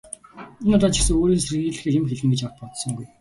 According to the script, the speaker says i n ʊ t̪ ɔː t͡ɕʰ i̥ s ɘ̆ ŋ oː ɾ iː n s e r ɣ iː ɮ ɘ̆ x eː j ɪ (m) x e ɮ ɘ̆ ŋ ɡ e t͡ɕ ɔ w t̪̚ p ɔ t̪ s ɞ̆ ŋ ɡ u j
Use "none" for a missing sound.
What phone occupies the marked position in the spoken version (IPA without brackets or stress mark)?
m